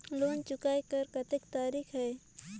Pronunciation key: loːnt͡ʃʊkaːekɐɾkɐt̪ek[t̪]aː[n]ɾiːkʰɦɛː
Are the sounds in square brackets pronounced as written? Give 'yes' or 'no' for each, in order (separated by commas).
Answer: yes, no